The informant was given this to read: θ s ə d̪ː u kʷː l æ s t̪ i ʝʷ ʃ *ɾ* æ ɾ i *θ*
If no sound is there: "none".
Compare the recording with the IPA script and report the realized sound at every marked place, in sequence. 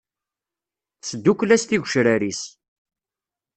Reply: ɾ, s

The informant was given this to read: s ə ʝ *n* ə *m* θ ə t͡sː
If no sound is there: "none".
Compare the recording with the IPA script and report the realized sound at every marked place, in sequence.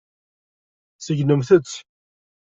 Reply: n, m

